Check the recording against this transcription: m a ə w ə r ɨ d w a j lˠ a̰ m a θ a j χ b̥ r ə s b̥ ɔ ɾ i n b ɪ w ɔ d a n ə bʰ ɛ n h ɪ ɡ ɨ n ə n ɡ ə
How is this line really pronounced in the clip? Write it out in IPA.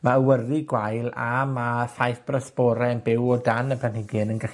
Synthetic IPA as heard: m a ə w ə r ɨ ɡ w a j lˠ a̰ m a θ a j θ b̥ r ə s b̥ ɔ ɾ ɛ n b ɪ w ɔ d a n ə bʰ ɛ n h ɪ ɡ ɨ n ə n ɡ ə